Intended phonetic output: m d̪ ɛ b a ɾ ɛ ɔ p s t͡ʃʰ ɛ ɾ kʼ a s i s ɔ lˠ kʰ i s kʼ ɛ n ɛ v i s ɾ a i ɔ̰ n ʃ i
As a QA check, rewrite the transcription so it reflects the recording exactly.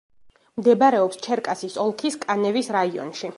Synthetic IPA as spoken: m d̪ ɛ b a ɾ ɛ ɔ p s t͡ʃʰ ɛ ɾ kʼ a s i s ɔ lˠ kʰ i s kʼ a n ɛ v i s ɾ a i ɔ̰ n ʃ i